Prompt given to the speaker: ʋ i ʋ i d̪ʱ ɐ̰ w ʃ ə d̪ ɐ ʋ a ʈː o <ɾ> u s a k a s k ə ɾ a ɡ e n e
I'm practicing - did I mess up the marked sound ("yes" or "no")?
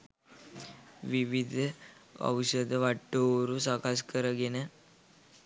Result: no